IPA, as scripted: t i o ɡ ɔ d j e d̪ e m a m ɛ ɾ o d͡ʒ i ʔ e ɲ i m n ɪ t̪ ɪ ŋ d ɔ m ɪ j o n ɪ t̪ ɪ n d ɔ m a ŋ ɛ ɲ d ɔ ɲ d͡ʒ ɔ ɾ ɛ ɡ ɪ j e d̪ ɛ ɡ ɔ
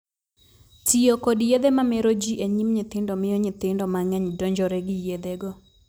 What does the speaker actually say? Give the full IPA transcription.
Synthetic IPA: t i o k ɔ d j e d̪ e m a m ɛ ɾ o d͡ʒ i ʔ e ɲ i m ɲ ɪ t̪ ɪ n d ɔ m ɪ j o ɲ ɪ t̪ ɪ n d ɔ m a ŋ ɛ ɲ d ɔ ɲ d͡ʒ ɔ ɾ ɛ ɡ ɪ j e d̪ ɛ ɡ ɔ